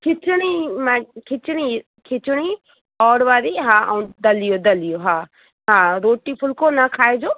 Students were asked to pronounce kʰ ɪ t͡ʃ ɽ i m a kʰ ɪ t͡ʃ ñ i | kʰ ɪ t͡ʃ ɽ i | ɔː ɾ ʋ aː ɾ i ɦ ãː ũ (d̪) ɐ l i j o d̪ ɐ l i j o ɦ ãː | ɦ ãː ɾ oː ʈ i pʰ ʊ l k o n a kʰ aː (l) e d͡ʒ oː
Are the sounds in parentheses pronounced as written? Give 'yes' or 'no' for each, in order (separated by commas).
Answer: yes, no